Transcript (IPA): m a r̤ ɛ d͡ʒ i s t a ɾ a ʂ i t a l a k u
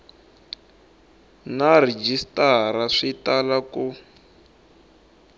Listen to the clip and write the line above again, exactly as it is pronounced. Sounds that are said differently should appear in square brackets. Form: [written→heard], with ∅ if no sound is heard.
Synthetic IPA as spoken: [m→n] a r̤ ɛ d͡ʒ i s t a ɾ a ʂ i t a l a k u